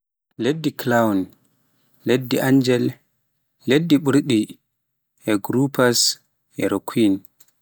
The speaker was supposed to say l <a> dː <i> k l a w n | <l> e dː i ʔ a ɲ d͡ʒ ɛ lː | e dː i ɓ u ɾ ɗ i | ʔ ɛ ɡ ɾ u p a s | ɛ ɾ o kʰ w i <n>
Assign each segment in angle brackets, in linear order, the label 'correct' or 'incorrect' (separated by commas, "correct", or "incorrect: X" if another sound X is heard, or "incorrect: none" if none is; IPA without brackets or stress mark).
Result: incorrect: e, correct, correct, correct